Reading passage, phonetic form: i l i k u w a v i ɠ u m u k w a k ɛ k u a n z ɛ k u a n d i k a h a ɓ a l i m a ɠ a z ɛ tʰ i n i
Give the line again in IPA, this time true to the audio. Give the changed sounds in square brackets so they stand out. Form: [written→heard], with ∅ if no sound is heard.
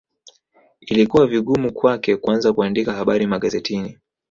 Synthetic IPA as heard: i l i k u w a v i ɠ u m u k w a k ɛ k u a n z [ɛ→a] k u a n d i k a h a ɓ a [l→ɾ] i m a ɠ a z ɛ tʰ i n i

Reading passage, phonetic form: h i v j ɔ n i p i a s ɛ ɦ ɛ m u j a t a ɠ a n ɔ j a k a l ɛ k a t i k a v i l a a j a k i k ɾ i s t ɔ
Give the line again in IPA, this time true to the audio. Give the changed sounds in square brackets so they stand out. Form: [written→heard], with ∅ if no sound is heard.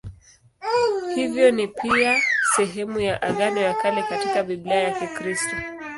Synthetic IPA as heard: h i v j ɔ n i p i a s ɛ ɦ ɛ m u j a [t→ʔ] a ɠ a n ɔ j a k a l ɛ k a t i k a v i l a a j a k i k ɾ i s t ɔ

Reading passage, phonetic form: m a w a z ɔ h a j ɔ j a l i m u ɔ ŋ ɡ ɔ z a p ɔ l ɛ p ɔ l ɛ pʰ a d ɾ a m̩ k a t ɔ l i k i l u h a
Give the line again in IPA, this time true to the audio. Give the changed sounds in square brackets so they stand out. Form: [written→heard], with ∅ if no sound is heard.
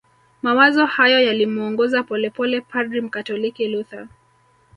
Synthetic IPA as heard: m a w a z ɔ h a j ɔ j a l i m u ɔ ŋ ɡ ɔ z a p ɔ l ɛ p ɔ l ɛ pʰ a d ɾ [a→i] m̩ k a t ɔ l i k i l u [h→θ] a

